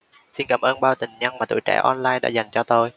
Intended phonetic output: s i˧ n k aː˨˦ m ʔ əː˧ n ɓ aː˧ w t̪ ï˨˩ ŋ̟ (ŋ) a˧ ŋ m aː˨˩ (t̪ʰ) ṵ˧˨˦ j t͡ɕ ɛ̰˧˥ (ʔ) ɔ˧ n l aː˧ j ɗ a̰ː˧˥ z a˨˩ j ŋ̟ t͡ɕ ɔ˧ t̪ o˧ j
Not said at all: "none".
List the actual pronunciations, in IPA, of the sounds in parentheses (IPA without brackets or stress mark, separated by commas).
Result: ɲ, t̪, ʔ